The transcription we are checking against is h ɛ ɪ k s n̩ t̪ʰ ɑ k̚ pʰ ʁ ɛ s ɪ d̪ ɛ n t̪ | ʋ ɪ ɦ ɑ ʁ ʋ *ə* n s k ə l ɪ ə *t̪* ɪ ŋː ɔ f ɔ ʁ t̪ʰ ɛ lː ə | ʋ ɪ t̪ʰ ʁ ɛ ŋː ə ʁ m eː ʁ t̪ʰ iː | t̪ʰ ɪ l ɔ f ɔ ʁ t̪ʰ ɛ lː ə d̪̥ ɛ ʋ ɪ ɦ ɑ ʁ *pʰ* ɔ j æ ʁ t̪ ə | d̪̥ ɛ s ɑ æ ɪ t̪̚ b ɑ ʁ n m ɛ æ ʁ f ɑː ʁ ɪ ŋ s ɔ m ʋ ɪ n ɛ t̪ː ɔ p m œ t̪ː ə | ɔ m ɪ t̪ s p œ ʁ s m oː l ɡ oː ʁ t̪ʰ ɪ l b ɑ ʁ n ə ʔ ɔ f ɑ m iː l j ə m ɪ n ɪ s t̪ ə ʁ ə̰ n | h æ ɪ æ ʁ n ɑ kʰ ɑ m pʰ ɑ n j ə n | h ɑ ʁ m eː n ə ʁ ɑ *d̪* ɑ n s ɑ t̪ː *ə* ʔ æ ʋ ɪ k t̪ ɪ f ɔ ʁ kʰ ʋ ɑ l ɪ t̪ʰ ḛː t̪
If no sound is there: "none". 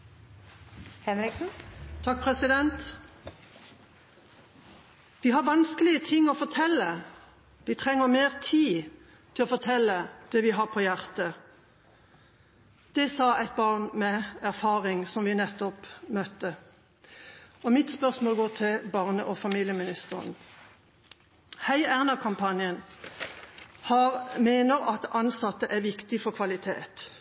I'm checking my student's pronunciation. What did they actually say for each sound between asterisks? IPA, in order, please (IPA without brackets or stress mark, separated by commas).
ɑ, t̪ʰ, pʰ, t̪, ə